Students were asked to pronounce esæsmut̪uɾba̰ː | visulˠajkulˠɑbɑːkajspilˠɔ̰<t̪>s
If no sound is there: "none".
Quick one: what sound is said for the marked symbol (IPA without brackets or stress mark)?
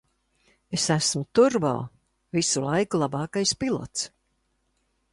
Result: t̪